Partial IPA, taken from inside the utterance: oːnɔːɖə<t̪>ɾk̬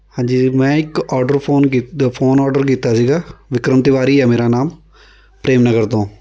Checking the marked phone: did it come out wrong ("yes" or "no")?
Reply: yes